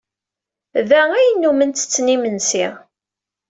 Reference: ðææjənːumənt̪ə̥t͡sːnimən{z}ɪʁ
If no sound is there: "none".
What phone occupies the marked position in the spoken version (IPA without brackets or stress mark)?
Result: s